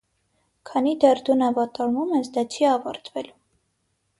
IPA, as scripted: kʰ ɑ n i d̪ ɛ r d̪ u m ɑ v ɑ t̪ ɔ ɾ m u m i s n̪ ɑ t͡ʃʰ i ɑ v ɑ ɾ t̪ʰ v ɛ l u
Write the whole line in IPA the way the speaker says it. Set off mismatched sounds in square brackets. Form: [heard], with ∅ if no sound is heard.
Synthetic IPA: kʰ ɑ n i d̪ ɛ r d̪ u [n] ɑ v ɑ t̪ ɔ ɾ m u m [ɛ] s [d̪] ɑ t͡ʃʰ i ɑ v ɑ ɾ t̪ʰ v ɛ l u